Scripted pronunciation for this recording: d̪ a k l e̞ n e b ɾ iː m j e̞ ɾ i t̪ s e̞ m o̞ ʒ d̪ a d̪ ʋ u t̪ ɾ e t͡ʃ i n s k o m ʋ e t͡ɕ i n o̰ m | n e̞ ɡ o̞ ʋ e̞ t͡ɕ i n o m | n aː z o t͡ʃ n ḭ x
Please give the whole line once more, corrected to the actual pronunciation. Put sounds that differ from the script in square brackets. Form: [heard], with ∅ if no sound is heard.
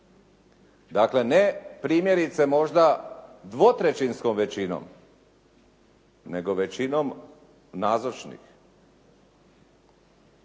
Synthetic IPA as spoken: d̪ a k l e̞ n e [p] ɾ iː m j e̞ ɾ i t̪ s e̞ m o̞ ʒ d̪ a d̪ ʋ [o] t̪ ɾ e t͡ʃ i n s k o m ʋ e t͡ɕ i n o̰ m | n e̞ ɡ o̞ ʋ e̞ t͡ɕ i n o m | n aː z o t͡ʃ n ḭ x